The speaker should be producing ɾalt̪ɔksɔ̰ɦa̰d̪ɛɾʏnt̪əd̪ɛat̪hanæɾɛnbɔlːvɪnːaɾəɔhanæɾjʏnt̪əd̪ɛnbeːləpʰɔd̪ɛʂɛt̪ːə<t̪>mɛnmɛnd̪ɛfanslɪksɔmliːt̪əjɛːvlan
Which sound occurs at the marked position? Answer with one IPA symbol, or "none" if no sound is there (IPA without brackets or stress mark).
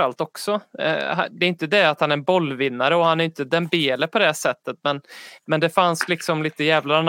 t̪